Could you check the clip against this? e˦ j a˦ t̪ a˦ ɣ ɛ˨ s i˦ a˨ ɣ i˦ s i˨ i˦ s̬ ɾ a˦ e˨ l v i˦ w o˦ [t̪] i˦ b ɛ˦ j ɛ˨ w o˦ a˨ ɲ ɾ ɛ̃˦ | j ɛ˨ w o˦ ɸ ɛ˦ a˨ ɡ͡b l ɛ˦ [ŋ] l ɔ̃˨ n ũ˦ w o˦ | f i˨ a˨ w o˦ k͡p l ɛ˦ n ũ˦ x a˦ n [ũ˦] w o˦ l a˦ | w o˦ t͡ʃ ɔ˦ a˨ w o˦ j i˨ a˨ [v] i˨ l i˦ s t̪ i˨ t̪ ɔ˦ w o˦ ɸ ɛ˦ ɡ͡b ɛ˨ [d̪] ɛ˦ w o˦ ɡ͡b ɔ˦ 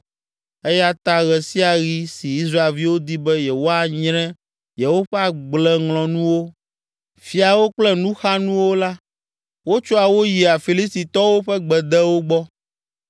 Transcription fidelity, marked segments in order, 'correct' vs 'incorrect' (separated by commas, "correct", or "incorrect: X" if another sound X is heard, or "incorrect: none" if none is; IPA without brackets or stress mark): incorrect: d̪, correct, correct, incorrect: f, correct